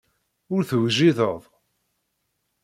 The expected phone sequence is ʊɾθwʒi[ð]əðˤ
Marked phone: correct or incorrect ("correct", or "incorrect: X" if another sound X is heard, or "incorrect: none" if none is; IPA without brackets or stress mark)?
correct